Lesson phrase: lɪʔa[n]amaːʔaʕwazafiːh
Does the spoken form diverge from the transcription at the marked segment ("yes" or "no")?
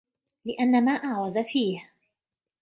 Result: yes